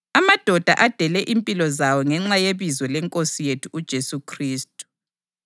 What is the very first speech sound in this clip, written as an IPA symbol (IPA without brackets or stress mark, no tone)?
a